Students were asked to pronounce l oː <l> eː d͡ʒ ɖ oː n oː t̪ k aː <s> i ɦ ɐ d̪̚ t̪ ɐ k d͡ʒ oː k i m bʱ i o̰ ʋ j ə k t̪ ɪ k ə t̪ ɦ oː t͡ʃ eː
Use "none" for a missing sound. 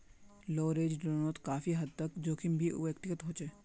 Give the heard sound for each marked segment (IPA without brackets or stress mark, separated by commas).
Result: ɾ, f